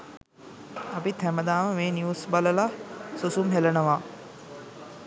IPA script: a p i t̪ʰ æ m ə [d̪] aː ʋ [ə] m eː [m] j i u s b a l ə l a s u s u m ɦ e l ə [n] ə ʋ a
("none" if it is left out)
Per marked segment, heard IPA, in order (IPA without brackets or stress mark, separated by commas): d̪, ə, n, n